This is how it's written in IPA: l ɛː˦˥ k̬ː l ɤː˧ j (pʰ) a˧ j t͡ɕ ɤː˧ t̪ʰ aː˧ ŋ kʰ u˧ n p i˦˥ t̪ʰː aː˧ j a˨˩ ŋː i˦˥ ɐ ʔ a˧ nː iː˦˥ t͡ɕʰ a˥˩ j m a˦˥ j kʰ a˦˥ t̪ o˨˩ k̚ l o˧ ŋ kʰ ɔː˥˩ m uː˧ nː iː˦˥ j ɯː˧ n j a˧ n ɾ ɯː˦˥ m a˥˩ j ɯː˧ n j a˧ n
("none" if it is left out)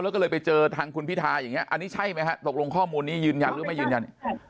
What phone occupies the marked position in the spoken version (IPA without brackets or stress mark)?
p